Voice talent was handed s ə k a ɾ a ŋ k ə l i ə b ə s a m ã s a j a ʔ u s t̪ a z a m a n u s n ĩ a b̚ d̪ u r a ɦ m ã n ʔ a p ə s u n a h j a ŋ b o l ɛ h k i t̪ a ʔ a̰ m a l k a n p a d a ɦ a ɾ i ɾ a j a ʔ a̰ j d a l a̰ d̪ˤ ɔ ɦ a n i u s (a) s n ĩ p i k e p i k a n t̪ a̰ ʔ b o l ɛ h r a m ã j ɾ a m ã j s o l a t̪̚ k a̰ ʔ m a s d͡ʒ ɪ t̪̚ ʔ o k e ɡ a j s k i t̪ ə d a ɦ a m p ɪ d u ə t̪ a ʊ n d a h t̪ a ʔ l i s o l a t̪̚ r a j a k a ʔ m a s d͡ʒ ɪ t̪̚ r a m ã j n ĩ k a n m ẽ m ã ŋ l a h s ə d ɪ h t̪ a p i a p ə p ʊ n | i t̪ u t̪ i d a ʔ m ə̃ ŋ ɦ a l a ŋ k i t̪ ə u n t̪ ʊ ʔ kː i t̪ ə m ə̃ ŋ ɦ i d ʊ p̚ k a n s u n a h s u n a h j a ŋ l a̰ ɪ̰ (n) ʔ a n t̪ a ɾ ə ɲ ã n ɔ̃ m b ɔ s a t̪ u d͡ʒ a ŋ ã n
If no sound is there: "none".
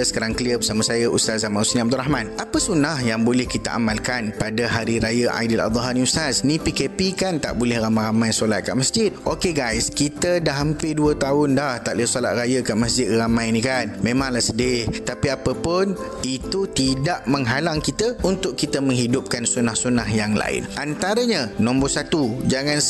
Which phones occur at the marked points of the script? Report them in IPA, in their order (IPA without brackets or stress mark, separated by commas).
a, n